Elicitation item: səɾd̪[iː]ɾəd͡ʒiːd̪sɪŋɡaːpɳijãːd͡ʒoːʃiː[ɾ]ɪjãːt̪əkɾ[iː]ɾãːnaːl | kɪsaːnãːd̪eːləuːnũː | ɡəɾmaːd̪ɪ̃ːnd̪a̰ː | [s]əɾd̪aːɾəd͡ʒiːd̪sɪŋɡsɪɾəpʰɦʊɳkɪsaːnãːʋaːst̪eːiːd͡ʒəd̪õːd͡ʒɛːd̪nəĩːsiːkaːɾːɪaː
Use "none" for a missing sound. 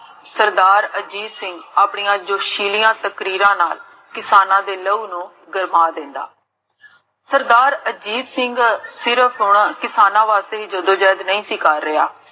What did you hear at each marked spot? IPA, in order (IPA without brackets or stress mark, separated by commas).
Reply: aː, l, iː, s